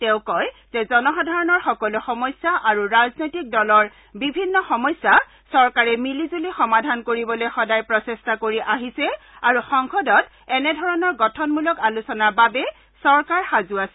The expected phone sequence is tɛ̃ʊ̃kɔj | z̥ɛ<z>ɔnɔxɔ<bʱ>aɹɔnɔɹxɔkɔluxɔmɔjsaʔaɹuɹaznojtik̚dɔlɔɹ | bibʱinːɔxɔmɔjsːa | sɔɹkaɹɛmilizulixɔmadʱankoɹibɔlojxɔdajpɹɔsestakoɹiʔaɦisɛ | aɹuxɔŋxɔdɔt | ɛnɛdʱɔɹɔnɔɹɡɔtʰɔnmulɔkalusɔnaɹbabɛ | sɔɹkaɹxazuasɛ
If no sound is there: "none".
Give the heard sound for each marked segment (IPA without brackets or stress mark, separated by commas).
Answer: z, dʱ